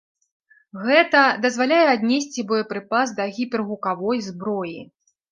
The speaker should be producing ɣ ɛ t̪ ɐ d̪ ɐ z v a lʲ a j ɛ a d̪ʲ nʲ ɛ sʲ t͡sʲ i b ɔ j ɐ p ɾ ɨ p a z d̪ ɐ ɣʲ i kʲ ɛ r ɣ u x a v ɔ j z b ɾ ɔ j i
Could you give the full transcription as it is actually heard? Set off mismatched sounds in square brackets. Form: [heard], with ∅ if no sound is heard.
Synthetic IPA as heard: ɣ ɛ t̪ ɐ d̪ ɐ z v a lʲ a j ɛ a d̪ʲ nʲ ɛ sʲ t͡sʲ i b ɔ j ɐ p ɾ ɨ p a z d̪ ɐ ɣʲ i [pʲ] ɛ r ɣ u [k] a v ɔ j z b ɾ ɔ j i